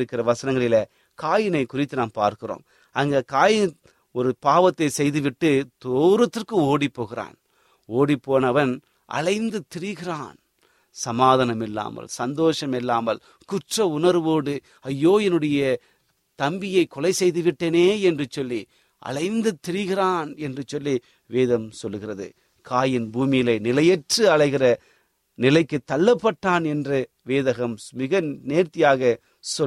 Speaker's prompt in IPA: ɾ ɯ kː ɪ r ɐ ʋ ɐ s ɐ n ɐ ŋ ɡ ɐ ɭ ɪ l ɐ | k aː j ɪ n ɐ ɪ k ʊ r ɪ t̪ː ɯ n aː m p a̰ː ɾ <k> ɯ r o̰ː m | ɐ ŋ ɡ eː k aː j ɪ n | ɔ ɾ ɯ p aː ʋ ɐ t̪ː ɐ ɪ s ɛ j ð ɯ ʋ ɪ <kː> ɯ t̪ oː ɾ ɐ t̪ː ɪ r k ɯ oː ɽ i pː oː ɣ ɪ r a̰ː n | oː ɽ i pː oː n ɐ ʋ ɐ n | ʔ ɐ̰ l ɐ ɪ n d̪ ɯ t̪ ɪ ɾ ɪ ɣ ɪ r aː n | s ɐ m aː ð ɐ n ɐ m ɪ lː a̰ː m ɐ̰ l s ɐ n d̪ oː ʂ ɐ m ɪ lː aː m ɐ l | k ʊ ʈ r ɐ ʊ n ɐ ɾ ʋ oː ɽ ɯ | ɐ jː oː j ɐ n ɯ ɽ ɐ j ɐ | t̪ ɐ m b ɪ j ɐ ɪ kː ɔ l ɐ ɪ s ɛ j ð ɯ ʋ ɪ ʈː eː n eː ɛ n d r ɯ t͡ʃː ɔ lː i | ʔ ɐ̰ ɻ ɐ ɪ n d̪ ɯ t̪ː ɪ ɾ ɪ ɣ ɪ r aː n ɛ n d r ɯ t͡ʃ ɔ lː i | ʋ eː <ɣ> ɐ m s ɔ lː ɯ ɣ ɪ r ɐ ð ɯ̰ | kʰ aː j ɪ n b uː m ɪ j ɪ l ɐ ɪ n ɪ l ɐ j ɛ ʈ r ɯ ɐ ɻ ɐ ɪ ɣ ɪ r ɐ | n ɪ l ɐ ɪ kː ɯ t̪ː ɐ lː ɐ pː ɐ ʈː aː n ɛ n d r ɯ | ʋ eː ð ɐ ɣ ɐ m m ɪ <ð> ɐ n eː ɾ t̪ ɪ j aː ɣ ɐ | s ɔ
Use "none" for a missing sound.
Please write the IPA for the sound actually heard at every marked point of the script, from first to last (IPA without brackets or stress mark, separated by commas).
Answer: k, ʈː, ð, ɣ